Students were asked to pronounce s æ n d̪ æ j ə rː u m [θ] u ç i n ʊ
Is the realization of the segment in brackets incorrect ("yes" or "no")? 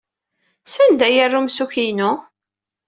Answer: yes